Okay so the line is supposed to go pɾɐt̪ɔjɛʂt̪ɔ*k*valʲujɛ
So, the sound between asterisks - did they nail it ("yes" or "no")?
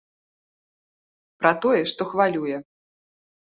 no